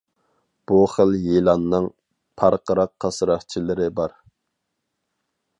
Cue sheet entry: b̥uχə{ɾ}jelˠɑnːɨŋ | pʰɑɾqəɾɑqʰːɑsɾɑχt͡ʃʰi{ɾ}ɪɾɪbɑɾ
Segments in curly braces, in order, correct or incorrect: incorrect: l, incorrect: l

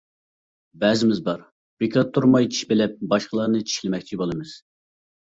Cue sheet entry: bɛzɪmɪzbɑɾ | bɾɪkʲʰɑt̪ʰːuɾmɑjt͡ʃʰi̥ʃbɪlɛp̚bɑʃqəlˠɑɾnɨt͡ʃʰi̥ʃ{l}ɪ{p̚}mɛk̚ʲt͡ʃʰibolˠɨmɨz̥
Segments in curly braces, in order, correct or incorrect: correct, incorrect: none

